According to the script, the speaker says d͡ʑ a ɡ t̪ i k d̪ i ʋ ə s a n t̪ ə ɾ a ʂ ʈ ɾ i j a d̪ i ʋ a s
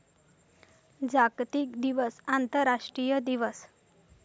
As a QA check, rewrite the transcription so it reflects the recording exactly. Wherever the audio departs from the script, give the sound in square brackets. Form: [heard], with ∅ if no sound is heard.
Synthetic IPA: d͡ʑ a ɡ t̪ i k d̪ i ʋ ə s a n t̪ ə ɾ a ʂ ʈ ɾ i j [ə] d̪ i ʋ [ə] s